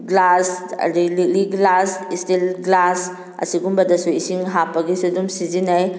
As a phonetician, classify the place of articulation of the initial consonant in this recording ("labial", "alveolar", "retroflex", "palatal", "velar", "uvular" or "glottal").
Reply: velar